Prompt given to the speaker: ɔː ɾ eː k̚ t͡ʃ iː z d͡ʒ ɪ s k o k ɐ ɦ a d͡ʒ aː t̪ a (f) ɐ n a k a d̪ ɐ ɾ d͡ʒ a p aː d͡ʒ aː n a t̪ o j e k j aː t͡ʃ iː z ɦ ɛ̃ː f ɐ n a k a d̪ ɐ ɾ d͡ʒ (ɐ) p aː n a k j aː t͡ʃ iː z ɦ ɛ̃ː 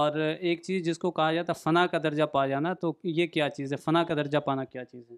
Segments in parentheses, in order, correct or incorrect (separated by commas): correct, incorrect